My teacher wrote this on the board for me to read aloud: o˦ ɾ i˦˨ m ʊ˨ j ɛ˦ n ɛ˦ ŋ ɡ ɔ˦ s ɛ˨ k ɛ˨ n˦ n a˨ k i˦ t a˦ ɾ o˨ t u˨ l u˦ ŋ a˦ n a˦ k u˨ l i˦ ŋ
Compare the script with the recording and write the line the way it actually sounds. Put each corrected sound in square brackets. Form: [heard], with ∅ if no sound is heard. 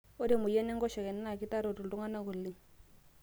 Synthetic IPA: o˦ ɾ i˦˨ m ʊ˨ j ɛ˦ n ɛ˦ ŋ ɡ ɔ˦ [ʃ] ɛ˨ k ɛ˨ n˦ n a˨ k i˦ t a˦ ɾ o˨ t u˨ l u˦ ŋ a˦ n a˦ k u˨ l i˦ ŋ